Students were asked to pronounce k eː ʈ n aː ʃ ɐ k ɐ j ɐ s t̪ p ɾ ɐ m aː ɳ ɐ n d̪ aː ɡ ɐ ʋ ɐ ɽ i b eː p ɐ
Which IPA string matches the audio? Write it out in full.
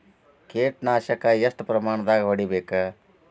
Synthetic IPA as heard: k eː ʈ n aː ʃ ɐ k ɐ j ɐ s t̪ p ɾ ɐ m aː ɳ ɐ d̪ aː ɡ ɐ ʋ ɐ ɽ i b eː k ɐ